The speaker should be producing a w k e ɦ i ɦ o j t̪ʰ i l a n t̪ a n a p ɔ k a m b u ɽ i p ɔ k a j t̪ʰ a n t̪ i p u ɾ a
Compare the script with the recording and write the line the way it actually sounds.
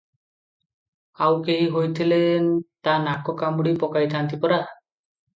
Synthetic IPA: a w k e ɦ i ɦ o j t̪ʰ i l e n t̪ a n a k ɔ k a m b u ɽ i p ɔ k a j t̪ʰ a n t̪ i p ɔ ɾ a